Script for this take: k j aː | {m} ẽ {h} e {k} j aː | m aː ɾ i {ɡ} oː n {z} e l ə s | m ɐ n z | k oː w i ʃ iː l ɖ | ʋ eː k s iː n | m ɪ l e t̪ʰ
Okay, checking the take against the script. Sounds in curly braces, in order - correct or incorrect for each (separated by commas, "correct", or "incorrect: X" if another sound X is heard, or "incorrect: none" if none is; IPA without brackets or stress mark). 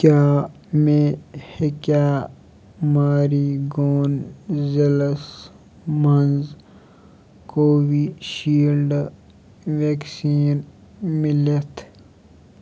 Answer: correct, correct, correct, correct, correct